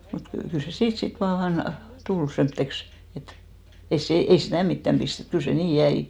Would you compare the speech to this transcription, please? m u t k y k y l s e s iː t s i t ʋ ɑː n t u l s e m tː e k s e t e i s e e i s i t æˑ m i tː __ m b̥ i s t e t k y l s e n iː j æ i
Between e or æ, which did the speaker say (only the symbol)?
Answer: æ